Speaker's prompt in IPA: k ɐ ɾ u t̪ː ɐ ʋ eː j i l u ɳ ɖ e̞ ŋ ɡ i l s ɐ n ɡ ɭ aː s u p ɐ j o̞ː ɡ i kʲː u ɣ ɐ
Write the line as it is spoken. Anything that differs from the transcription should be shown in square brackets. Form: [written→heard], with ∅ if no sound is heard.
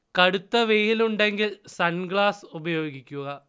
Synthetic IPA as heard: k ɐ [ɾ→ɽ] u t̪ː ɐ ʋ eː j i l u ɳ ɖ e̞ ŋ ɡ i l s ɐ n ɡ ɭ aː s u [p→b] ɐ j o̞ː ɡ i kʲː u ɣ ɐ